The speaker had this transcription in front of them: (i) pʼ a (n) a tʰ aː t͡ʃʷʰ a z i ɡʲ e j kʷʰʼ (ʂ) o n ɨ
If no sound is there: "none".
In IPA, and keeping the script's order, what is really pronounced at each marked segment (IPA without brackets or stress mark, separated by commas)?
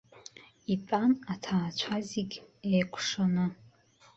i, n, ʂ